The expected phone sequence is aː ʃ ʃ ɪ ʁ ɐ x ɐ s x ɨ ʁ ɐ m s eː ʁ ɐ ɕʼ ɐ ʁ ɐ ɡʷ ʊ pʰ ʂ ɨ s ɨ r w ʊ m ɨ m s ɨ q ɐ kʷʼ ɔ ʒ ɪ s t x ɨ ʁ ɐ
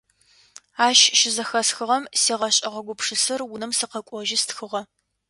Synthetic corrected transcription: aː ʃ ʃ ɪ z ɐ x ɐ s x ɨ ʁ ɐ m s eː ʁ ɐ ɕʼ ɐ ʁ ɐ ɡʷ ʊ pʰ ʂ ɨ s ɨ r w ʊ n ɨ m s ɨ q ɐ kʷʼ ɔ ʒ ɪ s t x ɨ ʁ ɐ

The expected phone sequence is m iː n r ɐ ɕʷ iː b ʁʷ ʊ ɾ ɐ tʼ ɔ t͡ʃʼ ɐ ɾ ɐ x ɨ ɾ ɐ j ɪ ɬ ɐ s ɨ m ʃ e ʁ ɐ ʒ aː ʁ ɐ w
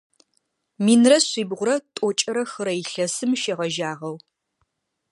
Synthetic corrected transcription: m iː n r ɐ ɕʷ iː b ʁʷ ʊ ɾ ɐ tʼ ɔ t͡ʃʼ ɐ ɾ ɐ x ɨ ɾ ɐ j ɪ ɬ ɐ s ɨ m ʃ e ʁ ɐ ʒ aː ʁ ɐ w

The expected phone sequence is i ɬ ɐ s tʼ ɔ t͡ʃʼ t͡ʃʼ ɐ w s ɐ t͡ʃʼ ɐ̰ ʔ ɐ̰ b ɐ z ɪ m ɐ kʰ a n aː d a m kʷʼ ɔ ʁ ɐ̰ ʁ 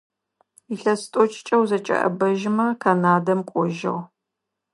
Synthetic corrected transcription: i ɬ ɐ s tʼ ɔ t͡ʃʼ t͡ʃʼ ɐ w z ɐ t͡ʃʼ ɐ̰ ʔ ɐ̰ b ɐ ʒ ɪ m ɐ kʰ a n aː d ɐ m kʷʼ ɔ ʒ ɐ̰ ʁ

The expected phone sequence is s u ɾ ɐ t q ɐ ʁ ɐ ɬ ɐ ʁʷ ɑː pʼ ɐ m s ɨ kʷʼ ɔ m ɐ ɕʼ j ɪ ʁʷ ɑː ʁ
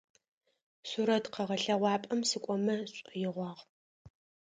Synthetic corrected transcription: s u ɾ ɐ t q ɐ ʁ ɐ ɬ ɐ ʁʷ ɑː pʼ ɐ m s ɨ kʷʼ ɔ m ɐ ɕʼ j ɪ ʁʷ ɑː ʁ

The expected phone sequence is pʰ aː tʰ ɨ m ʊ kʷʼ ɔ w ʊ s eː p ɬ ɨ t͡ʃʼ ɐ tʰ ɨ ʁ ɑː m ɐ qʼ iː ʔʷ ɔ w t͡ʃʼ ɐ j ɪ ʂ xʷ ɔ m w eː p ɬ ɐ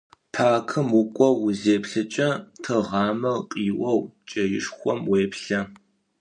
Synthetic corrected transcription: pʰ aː kʰ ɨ m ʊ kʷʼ ɔ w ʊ z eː p ɬ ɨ t͡ʃʼ ɐ tʰ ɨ ʁ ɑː m ɐ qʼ iː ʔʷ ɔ w t͡ʃʼ ɐ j ɪ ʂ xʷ ɔ m w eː p ɬ ɐ

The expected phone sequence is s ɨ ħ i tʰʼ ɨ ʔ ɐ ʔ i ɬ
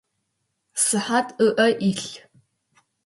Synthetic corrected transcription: s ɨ ħ a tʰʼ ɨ ʔ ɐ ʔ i ɬ

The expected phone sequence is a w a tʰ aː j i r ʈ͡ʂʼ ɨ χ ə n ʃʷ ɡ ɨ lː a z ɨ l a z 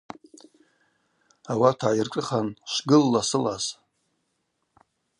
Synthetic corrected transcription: a w a tʰ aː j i r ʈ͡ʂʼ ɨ χ a n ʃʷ ɡ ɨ lː a s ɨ l a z

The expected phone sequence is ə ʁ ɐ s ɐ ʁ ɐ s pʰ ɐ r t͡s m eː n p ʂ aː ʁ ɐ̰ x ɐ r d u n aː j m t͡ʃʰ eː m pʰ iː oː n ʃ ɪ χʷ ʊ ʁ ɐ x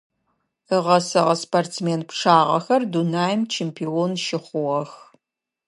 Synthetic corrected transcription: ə ʁ ɐ s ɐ ʁ ɐ s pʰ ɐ r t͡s m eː n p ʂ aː ʁ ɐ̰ x ɐ r d u n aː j m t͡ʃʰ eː m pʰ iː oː n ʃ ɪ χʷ ʊ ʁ ɐ x

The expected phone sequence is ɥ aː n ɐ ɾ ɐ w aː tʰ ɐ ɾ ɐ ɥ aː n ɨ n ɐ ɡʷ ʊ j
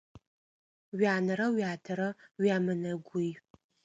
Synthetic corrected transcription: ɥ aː n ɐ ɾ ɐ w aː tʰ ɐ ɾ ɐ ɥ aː m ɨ n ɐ ɡʷ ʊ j

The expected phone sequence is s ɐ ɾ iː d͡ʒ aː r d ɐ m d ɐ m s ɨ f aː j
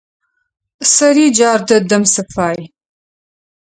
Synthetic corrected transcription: s ɐ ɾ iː d͡ʒ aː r d ɐ d ɐ m s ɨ f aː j

